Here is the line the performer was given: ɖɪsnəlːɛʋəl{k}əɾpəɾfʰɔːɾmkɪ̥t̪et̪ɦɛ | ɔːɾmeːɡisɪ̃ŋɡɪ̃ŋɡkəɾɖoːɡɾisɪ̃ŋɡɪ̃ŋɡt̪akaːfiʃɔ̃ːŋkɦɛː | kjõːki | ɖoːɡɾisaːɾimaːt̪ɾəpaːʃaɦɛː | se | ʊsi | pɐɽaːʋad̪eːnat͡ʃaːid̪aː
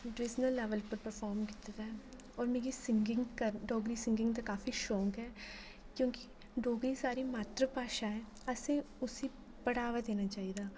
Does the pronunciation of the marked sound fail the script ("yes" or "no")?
yes